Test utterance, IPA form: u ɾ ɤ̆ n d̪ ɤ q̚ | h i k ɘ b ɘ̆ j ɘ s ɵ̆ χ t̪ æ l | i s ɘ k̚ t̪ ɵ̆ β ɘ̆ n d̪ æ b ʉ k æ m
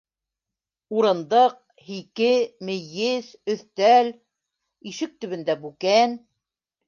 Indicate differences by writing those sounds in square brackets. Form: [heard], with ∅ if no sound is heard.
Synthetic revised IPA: u ɾ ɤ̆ n d̪ ɤ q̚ | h i k ɘ [m] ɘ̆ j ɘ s ɵ̆ [θ] t̪ æ l | i [ʃ] ɘ k̚ t̪ ɵ̆ β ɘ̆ n d̪ æ b ʉ k æ [n]